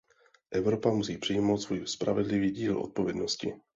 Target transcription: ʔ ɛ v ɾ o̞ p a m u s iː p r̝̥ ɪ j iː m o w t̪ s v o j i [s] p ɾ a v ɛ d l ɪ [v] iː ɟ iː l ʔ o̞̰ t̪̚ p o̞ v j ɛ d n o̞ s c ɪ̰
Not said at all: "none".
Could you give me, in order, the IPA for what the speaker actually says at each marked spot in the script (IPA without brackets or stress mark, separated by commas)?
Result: s, v